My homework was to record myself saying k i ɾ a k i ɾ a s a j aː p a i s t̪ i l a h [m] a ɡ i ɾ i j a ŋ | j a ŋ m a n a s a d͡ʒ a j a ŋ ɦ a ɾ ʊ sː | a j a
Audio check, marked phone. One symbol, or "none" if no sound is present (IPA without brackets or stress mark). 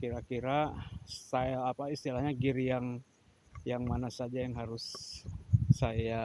ɲ